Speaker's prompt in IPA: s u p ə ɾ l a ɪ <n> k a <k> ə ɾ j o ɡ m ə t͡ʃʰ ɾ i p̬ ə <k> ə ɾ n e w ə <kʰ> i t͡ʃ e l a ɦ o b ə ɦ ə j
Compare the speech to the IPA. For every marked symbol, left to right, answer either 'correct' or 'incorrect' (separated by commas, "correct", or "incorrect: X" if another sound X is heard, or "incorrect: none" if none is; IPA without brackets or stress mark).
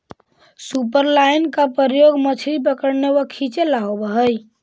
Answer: correct, incorrect: p, correct, correct